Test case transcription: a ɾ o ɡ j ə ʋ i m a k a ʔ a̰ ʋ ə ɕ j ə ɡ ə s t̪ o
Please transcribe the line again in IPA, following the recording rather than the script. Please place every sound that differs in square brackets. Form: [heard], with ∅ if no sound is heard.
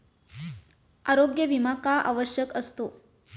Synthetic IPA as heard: a ɾ o ɡ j ə ʋ i m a k a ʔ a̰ ʋ ə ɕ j ə [k] ə s t̪ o